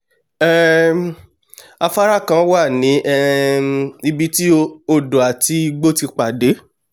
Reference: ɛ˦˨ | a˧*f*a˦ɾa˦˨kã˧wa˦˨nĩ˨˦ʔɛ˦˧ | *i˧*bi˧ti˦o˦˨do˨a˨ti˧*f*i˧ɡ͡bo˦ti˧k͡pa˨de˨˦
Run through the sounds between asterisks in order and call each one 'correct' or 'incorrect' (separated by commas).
correct, correct, incorrect